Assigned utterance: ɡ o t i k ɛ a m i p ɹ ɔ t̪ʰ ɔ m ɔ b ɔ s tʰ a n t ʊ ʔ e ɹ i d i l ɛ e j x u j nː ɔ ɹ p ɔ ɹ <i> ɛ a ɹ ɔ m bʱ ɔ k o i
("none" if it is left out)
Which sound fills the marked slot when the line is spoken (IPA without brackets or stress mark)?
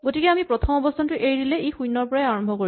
a